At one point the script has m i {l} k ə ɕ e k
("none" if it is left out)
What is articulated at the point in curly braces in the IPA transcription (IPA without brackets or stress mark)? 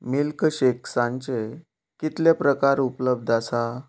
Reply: l